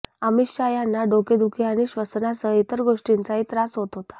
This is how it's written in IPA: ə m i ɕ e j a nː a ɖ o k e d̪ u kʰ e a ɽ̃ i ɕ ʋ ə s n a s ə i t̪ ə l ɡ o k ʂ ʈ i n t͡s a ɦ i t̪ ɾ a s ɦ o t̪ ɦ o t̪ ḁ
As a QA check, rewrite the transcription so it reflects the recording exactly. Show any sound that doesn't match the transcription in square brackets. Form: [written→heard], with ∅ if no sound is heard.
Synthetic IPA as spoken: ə m i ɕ [e→a] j a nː a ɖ o k e d̪ u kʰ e a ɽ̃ i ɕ ʋ ə s n a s ə i t̪ ə [l→ɾ] ɡ o [k→∅] ʂ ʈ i n t͡s a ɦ i t̪ ɾ a s ɦ o t̪ ɦ o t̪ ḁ